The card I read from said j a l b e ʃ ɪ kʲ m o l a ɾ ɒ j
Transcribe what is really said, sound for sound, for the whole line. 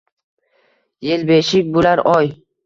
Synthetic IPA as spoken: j e l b e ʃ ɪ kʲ b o l a ɾ ɒ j

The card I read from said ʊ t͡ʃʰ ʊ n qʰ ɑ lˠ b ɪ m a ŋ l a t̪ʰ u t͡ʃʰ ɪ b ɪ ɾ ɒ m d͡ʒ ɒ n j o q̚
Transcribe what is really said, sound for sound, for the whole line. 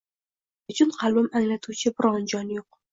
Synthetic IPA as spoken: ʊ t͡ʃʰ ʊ n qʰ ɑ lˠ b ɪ m a ŋ l a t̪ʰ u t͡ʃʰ ɪ b ɪ ɾ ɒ n d͡ʒ ɒ n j o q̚

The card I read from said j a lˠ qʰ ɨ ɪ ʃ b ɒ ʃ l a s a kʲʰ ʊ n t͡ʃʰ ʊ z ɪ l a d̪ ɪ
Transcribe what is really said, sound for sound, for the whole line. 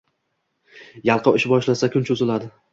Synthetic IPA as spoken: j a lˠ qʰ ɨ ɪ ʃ b ɒ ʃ l a s a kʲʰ ʊ n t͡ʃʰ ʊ z ɪ l a d̪ ɪ

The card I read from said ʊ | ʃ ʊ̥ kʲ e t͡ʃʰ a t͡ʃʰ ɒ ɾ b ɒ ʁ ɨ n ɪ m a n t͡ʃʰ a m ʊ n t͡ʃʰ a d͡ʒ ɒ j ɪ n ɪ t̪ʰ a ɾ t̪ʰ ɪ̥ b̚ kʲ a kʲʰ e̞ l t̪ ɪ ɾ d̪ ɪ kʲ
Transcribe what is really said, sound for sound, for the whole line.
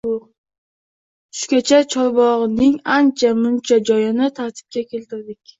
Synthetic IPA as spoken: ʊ | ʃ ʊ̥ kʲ a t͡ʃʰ a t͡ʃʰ ɒ ɾ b ɒ ʁ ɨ n ɪ ŋ a n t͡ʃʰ a m ʊ n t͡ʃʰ a d͡ʒ ɒ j ɪ n ɪ t̪ʰ a ɾ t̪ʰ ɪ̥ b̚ kʲ a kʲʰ e̞ l t̪ ɪ ɾ d̪ ɪ kʲ

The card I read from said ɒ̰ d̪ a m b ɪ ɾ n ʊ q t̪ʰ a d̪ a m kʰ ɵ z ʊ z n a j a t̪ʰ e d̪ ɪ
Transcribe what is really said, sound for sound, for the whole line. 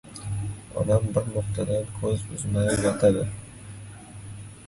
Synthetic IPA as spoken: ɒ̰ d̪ a m b ɪ ɾ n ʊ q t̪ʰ a d̪ a n kʰ ɵ z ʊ z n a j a t̪ʰ a d̪ ɪ

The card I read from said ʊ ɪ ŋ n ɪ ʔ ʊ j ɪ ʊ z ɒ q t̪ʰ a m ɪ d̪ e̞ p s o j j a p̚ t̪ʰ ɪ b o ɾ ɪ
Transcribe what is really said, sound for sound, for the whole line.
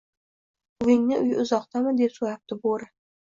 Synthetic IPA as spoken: ʊ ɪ ŋ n ɪ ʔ ʊ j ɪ ʊ z ɒ q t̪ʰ a m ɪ d̪ e̞ p s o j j a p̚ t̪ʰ ɪ b o ɾ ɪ

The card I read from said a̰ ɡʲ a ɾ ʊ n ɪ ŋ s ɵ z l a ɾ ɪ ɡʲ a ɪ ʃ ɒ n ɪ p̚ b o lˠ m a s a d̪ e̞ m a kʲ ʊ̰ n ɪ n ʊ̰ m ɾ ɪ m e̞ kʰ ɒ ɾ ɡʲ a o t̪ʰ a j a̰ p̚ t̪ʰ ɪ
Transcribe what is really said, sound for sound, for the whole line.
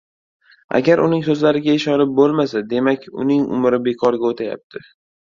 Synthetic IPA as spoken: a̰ ɡʲ a ɾ ʊ n ɪ ŋ s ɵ z l a ɾ ɪ ɡʲ a ɪ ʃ ɒ n ɪ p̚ b o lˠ m a s a d̪ e̞ m a kʲ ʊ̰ n ɪ ŋ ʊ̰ m ɾ ɪ b e̞ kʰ ɒ ɾ ɡʲ a o t̪ʰ a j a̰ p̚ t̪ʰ ɪ

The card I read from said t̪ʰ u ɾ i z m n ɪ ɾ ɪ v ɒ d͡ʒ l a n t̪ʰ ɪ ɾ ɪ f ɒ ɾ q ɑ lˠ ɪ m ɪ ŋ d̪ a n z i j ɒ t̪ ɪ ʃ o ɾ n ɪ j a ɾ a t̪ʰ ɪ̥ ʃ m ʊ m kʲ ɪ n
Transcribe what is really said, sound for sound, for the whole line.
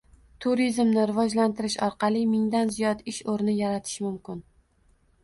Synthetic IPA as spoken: t̪ʰ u ɾ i z m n ɪ ɾ ɪ v ɒ d͡ʒ l a n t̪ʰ ɪ ɾ ɪ ʃ ɒ ɾ q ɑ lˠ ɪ m ɪ ŋ d̪ a n z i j ɒ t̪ ɪ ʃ o ɾ n ɪ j a ɾ a t̪ʰ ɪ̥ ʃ m ʊ m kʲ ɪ n

